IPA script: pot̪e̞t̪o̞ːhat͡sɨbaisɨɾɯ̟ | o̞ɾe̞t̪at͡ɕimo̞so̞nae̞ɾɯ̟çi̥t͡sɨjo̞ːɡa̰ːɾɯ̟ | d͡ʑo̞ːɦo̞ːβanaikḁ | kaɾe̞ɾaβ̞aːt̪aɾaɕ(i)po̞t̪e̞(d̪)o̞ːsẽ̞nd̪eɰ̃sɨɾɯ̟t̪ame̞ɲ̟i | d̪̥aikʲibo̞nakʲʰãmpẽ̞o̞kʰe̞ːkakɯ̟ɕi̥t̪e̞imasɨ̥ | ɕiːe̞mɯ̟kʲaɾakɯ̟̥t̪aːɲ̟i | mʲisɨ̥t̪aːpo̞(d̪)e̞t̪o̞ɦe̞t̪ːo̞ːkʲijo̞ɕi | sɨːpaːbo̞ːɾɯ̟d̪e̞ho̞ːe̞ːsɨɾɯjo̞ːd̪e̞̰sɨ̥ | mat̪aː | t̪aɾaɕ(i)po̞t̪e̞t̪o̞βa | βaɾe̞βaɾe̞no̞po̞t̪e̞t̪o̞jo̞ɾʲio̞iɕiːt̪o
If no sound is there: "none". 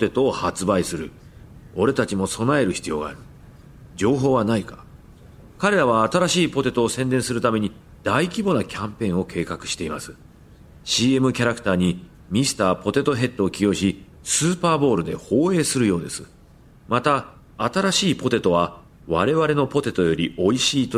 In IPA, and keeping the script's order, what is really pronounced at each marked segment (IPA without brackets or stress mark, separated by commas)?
iː, t̪, t̪, iː